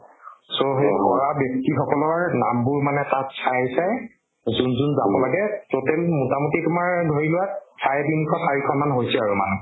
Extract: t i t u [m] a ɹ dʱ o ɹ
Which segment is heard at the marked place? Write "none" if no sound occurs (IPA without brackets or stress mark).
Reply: m